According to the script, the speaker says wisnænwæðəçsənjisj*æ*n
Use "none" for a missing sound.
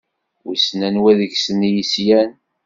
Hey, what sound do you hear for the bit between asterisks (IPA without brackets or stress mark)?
æ